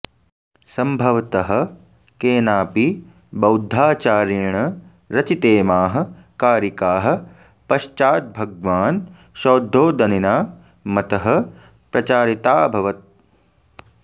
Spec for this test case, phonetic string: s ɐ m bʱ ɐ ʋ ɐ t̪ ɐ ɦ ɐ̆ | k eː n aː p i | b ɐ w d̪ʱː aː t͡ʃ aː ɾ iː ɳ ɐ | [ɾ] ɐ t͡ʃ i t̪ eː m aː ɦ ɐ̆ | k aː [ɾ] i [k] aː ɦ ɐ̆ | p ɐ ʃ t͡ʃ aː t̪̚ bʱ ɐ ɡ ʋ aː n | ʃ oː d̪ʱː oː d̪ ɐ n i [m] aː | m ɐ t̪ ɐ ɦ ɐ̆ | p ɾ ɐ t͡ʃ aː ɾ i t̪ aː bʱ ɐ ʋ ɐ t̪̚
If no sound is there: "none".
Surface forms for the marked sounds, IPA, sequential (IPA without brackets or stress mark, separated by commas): ɾ, ɾ, k, n